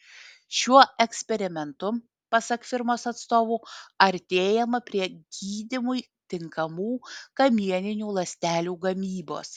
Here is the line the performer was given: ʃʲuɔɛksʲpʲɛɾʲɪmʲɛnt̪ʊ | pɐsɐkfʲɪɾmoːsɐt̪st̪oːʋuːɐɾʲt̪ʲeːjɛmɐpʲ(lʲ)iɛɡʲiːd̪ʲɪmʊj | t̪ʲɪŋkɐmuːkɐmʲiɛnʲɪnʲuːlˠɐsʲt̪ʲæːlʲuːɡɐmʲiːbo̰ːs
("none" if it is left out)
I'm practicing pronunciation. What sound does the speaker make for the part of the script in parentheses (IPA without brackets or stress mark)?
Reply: ɾʲ